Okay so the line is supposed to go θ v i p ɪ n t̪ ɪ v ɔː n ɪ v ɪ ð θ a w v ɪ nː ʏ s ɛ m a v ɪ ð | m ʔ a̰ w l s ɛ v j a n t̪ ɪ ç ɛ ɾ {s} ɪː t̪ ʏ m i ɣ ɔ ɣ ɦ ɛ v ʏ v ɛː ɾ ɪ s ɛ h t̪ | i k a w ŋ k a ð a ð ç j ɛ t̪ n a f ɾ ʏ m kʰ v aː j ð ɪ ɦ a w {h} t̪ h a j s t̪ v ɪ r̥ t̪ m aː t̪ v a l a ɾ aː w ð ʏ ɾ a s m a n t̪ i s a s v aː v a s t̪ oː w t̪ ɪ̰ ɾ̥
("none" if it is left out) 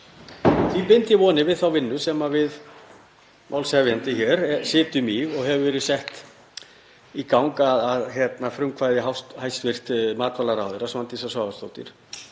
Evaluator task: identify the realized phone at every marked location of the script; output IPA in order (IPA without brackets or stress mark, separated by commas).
s, s